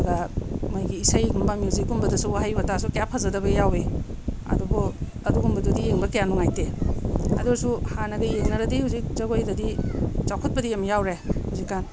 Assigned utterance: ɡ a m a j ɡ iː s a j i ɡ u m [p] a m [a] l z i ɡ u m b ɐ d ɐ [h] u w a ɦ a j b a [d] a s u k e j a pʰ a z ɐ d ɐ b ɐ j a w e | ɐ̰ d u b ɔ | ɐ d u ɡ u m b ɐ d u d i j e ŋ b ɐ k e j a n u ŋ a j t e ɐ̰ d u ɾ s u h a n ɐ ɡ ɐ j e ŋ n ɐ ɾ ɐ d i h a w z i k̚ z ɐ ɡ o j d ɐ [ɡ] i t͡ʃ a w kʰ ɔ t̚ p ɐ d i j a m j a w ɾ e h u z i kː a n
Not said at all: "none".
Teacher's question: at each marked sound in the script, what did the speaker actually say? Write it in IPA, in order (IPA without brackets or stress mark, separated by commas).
b, i, s, t, d